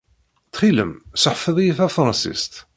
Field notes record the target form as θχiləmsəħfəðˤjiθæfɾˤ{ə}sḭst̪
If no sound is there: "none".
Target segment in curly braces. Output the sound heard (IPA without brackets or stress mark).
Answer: ɑ